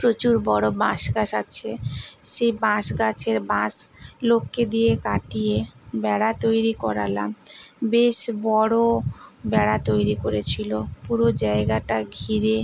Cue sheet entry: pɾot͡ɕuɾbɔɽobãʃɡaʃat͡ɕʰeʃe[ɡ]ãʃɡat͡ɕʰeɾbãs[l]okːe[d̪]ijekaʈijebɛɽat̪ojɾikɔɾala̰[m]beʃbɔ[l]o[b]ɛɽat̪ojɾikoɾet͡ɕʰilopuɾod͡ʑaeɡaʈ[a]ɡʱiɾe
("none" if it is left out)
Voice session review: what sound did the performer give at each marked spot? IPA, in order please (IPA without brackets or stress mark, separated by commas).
b, l, d̪, m, ɽ, b, a